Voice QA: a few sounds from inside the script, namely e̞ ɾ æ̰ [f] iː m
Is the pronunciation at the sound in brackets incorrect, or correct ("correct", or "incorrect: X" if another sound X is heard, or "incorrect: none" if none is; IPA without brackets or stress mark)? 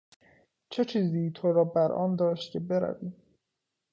incorrect: v